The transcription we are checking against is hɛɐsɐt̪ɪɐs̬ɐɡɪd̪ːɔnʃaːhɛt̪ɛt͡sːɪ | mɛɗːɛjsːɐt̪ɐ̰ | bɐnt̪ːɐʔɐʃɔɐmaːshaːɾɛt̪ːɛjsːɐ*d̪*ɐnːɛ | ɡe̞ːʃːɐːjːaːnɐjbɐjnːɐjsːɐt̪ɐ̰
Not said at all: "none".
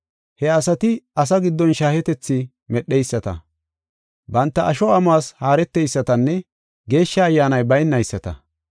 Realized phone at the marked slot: t̪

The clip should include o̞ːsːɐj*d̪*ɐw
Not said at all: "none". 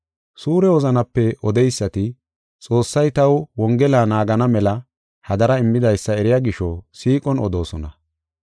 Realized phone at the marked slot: t̪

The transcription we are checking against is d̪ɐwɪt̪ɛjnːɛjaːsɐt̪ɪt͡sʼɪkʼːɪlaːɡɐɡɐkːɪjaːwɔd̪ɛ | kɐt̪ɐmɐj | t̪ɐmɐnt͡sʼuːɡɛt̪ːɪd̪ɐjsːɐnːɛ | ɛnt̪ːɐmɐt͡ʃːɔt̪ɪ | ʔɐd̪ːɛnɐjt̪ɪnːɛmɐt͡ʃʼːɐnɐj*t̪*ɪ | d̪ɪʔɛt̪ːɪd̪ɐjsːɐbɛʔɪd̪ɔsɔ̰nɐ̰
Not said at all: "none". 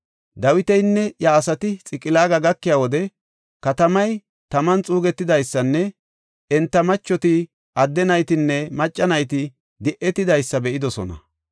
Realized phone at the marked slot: t̪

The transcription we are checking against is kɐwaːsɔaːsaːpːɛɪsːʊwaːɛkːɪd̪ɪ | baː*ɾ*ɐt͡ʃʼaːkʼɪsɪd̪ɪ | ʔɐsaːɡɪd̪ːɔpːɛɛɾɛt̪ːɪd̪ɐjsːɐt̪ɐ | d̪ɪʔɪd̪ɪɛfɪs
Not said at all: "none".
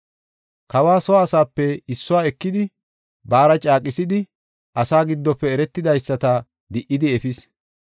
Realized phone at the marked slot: ɾ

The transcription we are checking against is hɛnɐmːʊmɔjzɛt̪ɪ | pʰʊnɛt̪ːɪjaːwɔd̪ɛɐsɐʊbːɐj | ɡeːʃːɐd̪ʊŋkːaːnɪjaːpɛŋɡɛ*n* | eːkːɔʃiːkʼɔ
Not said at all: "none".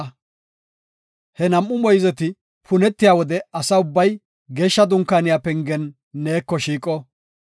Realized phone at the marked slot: nː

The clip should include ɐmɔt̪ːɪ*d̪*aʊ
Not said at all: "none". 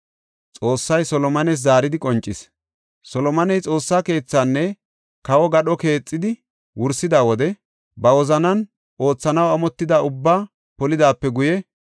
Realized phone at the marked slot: d̪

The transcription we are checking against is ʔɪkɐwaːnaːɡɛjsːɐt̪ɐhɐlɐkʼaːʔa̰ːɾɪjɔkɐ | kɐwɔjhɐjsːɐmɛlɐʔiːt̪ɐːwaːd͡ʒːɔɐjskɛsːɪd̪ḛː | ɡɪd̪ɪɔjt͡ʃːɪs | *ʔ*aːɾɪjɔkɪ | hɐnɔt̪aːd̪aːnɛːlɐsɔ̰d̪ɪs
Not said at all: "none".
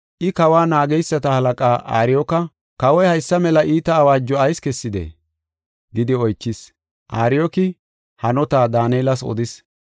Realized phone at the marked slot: ʔ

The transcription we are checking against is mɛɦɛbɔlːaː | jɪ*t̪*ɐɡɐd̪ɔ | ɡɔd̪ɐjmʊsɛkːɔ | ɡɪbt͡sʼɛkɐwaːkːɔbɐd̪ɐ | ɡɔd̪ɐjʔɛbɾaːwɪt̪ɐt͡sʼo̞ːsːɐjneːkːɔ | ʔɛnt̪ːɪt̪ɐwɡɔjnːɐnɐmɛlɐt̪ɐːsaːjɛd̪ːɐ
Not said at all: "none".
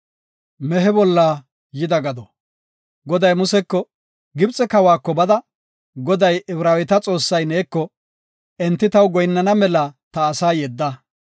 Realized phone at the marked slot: d̪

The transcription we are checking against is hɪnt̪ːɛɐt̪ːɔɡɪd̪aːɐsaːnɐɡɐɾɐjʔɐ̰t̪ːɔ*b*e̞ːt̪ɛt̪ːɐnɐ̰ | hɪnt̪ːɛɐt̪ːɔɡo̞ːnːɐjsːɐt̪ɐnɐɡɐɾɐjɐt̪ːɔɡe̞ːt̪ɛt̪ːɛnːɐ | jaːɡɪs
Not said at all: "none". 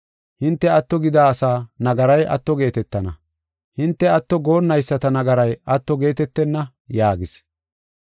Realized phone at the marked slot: ɡ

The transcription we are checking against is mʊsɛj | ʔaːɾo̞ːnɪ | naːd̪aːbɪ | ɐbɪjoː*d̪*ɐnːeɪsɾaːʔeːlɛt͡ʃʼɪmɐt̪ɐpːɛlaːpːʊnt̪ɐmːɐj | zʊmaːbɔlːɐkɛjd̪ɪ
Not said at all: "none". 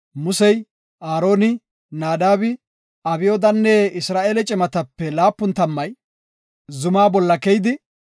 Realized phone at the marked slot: d̪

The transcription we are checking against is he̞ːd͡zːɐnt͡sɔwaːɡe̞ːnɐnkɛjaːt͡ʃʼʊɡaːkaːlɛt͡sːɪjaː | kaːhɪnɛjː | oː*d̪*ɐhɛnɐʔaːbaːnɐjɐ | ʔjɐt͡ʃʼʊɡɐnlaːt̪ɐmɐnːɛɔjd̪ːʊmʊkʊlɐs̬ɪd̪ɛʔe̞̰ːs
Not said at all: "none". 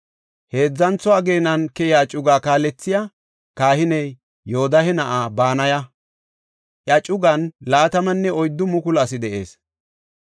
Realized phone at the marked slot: d̪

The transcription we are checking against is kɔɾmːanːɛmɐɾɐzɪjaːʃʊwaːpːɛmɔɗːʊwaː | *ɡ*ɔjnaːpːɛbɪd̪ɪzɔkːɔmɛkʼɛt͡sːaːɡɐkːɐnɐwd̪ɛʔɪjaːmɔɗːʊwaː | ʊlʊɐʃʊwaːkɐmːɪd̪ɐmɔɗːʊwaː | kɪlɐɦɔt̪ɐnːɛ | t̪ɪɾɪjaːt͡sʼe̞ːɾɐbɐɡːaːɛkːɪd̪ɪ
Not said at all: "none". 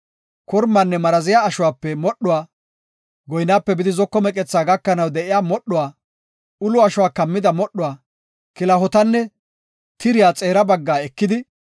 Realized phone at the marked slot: ɡ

